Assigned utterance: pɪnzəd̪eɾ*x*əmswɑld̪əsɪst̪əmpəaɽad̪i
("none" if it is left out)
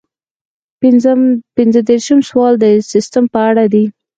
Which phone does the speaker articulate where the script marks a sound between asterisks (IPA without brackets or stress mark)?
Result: ʃ